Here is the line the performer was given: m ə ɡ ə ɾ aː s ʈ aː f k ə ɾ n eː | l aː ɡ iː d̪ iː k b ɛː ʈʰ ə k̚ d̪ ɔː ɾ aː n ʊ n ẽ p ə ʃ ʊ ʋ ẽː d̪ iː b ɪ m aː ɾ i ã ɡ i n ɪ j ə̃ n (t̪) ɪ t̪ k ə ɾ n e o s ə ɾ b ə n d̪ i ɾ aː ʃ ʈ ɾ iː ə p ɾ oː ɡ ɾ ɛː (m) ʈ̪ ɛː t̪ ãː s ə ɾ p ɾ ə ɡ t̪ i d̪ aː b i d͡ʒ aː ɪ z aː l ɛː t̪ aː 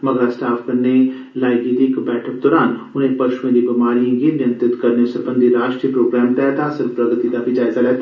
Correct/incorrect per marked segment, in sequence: correct, correct

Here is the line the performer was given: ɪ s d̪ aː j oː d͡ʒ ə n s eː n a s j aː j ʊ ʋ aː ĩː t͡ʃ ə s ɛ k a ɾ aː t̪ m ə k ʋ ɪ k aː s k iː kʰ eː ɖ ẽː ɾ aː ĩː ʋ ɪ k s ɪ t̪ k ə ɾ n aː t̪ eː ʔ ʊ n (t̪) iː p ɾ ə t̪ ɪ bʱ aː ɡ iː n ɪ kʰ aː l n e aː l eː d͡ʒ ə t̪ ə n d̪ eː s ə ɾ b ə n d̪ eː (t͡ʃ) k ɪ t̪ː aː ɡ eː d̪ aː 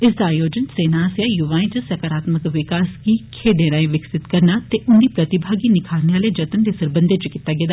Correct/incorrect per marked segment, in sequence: incorrect: d̪, correct

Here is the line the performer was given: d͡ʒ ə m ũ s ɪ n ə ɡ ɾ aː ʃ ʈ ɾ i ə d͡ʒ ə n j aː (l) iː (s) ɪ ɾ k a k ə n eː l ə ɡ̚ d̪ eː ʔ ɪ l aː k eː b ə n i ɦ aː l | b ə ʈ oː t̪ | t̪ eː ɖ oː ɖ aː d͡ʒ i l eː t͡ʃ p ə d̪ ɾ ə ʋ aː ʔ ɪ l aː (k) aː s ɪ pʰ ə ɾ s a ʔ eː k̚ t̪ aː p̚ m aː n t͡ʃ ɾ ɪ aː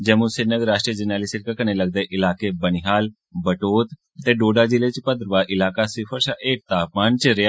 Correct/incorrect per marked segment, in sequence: correct, correct, correct

